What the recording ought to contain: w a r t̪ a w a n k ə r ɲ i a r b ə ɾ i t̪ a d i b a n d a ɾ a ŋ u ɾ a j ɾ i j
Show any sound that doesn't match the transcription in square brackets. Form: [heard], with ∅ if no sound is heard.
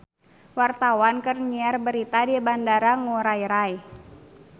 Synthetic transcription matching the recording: w a r t̪ a w a n k ə r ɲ i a r b ə ɾ i t̪ a d i b a n d a ɾ a ŋ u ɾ a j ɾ [a] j